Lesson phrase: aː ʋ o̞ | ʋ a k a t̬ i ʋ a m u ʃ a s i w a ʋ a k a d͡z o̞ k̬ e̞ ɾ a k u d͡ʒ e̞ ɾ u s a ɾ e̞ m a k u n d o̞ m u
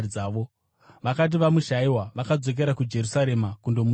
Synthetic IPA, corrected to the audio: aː ʋ o̞ | ʋ a k a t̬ i ʋ a m u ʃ a i w a ʋ a k a d͡z o̞ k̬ e̞ ɾ a k u d͡ʒ e̞ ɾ u s a ɾ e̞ m a k u n d o̞ m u